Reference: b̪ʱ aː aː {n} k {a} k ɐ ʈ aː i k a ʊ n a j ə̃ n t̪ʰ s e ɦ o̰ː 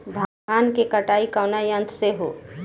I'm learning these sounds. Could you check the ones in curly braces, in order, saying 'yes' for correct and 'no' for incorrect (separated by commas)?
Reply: yes, no